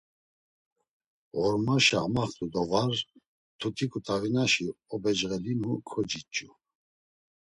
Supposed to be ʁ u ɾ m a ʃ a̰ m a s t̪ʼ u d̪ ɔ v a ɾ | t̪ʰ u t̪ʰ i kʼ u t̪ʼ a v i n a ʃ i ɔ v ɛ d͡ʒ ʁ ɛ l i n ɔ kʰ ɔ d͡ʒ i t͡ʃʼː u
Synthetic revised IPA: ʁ ɔ ɾ m a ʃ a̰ m a χ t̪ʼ u d̪ ɔ v a ɾ | t̪ʰ u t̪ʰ i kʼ u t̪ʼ a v i n a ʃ i ɔ b ɛ d͡ʒ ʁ ɛ l i n u kʰ ɔ d͡ʒ i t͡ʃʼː u